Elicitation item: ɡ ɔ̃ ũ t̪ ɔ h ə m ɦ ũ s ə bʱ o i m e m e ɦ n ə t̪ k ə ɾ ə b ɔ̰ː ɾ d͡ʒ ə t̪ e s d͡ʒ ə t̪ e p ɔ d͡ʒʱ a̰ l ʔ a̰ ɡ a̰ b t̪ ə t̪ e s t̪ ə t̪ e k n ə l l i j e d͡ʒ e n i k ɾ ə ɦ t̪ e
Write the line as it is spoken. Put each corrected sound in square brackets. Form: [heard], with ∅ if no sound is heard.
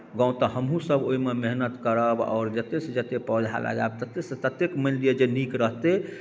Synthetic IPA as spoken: ɡ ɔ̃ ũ t̪ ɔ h ə m ɦ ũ s ə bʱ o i m e m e ɦ n ə t̪ k ə ɾ ə b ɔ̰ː ɾ d͡ʒ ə t̪ e s d͡ʒ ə t̪ e p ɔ d͡ʒʱ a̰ l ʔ a̰ ɡ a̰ b t̪ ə t̪ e s t̪ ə t̪ e k [m] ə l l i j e d͡ʒ e n i k ɾ ə ɦ t̪ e

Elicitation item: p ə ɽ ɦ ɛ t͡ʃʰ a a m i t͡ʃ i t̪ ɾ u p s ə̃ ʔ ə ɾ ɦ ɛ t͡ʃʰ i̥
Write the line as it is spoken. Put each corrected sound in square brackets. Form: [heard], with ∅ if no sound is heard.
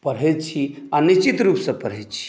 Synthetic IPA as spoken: p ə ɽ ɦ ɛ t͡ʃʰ [i] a [n] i t͡ʃ i t̪ ɾ u p s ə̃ [p] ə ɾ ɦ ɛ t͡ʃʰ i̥

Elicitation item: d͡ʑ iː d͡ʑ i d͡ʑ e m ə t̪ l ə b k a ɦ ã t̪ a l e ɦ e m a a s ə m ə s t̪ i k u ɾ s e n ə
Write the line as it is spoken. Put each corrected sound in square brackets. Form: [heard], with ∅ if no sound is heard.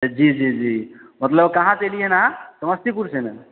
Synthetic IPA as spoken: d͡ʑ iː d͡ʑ i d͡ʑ [i] m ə t̪ l ə b k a ɦ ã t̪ [e] l [i] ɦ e [n] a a s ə m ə s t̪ i k u ɾ s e n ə

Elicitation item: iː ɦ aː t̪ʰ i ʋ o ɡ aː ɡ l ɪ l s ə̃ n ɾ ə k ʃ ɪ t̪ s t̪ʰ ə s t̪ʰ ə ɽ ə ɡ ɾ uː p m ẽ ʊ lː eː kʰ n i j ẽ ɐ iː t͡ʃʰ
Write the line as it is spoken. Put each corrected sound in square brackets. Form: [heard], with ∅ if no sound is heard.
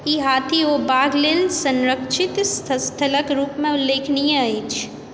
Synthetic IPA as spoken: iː ɦ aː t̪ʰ i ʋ o [b] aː ɡ l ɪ l s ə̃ n ɾ ə k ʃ ɪ t̪ s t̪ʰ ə s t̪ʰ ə [l] ə [k] ɾ uː p m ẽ ʊ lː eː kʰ n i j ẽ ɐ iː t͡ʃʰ

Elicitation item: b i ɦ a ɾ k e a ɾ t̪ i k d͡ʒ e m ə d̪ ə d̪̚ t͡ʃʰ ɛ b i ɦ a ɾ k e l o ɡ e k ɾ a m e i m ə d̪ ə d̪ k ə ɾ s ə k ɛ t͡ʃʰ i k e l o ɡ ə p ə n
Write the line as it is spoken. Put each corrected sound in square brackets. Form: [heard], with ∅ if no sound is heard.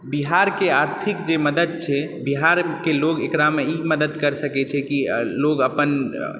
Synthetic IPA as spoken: b i ɦ a ɾ k e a ɾ [t̪ʰ] i k d͡ʒ e m ə d̪ ə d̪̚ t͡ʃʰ ɛ b i ɦ a ɾ k e l o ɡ e k ɾ a m e i m ə d̪ ə d̪ k ə ɾ s ə k ɛ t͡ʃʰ [ɛ] k [i] l o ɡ ə p ə n

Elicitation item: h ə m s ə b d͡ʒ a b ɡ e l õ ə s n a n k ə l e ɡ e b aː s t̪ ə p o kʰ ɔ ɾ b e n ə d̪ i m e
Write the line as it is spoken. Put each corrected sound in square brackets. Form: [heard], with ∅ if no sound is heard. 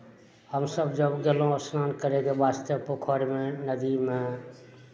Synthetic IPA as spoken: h ə m s ə b d͡ʒ [ə] b ɡ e l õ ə s n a n k ə [ɾ] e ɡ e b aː s t̪ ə p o kʰ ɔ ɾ [m] e n ə d̪ i m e

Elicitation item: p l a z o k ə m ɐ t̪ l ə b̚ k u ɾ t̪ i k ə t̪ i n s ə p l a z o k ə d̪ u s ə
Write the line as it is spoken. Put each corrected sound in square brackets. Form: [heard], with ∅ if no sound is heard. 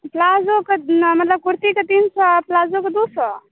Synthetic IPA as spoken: p l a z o k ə m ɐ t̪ l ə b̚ k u ɾ t̪ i k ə t̪ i n s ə p l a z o k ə d̪ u s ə

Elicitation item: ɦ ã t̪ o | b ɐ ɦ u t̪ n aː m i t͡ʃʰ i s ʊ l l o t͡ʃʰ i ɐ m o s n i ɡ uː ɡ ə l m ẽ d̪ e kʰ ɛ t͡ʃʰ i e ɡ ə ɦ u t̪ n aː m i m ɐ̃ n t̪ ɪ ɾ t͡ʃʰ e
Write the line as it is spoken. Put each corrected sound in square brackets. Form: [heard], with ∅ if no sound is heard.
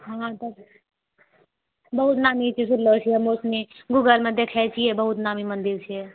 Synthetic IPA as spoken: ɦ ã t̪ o | b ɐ ɦ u t̪ n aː m i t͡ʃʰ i s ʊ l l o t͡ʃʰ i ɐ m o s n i ɡ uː ɡ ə l m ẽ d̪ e kʰ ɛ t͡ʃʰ i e [b] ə ɦ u t̪ n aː m i m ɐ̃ n [d̪] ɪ ɾ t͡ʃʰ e

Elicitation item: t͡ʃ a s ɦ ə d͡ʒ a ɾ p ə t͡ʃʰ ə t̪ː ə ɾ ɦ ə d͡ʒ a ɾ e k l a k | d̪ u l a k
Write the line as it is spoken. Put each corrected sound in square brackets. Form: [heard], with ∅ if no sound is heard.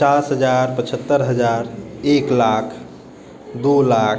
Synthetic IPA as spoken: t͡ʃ a s ɦ ə d͡ʒ a ɾ p ə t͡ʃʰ ə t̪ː ə ɾ ɦ ə d͡ʒ a ɾ e k l a [kʰ] | d̪ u l a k

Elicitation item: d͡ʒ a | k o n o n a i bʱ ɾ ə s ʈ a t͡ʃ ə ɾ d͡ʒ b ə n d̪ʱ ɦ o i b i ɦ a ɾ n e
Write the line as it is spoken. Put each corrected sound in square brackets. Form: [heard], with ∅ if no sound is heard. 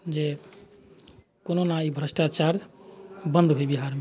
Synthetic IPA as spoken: d͡ʒ [e] | k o n o n a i bʱ ɾ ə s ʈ a t͡ʃ [a] ɾ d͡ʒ b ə n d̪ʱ ɦ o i b i ɦ a ɾ [m] e

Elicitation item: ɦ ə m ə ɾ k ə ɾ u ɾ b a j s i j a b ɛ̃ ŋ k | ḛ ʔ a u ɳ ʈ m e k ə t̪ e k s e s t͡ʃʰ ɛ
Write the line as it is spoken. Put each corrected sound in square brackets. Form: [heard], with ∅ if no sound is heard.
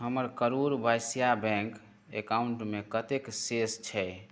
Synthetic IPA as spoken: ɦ ə m ə ɾ k ə ɾ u ɾ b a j s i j a b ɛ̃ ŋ k | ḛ [k] a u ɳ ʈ m e k ə t̪ e k s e s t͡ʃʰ ɛ

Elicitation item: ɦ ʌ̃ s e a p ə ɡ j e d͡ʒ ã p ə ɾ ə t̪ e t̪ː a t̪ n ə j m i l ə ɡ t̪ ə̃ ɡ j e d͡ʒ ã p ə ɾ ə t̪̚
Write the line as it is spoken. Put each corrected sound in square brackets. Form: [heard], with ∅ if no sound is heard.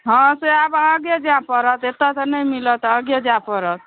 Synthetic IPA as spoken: ɦ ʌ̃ s e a [b] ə ɡ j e d͡ʒ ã p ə ɾ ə t̪ e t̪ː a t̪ n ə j m i l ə [∅] t̪ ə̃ ɡ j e d͡ʒ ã p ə ɾ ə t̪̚

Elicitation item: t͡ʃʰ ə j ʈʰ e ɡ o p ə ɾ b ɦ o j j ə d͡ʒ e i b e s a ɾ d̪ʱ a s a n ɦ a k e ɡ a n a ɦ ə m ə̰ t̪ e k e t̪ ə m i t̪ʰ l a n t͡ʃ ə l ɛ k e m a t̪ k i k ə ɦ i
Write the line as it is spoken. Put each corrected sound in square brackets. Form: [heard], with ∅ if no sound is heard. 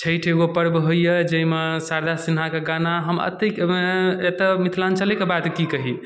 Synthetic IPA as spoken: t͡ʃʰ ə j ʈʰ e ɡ o p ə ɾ b ɦ o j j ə d͡ʒ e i [m] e s a ɾ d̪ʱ a s [i] n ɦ a k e ɡ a n a ɦ ə m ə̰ t̪ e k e t̪ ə m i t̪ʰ l a n t͡ʃ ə l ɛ k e [b] a t̪ k i k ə ɦ i

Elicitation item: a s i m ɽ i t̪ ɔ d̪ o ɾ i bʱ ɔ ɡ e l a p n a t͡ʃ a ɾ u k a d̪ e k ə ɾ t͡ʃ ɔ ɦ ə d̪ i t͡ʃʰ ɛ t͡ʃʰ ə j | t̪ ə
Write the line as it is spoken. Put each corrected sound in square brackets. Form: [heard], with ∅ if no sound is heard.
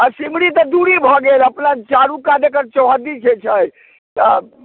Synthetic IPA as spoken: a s i m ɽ i t̪ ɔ d̪ [u] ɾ i bʱ ɔ ɡ e l [ə] p n a t͡ʃ a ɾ u k a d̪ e k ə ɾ t͡ʃ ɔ ɦ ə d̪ i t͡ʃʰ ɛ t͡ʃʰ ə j | t̪ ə

